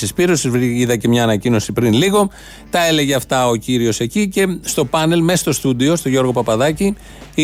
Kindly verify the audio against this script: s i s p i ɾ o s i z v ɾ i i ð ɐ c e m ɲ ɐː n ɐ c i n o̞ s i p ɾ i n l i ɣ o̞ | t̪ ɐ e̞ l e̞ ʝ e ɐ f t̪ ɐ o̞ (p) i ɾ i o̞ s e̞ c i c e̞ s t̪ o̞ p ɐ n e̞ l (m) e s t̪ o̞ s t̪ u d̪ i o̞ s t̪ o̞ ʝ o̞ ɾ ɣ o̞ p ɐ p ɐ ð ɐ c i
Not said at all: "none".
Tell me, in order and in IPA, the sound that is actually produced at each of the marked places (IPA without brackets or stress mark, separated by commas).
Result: c, m